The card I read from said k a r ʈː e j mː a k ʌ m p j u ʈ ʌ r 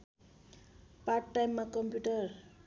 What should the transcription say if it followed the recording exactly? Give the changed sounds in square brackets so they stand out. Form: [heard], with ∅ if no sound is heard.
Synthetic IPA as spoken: [p] a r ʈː [a] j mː a k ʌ m p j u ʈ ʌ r